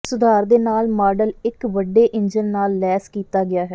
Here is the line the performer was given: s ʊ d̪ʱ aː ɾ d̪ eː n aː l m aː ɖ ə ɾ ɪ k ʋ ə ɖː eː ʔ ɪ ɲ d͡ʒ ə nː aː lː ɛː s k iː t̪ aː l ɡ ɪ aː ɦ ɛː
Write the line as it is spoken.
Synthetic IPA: s ʊ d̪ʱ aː ɾ d̪ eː n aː l m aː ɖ ə l ɪ k ʋ ə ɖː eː ʔ ɪ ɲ d͡ʒ ə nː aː lː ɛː s k iː t̪ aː ɡ ɪ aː ɦ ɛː